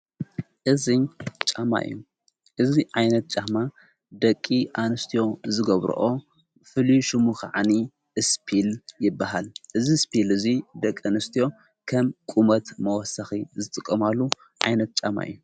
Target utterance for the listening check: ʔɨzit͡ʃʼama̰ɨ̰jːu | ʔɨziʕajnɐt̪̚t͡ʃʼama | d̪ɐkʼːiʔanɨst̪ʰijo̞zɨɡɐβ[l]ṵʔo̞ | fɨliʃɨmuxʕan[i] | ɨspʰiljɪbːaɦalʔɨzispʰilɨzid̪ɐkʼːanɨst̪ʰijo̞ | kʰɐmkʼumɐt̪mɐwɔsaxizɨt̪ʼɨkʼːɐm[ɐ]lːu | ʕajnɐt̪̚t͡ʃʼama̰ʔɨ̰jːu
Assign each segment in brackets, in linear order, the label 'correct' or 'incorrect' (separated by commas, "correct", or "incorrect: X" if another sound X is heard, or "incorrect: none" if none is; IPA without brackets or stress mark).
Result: incorrect: ɾ, correct, incorrect: a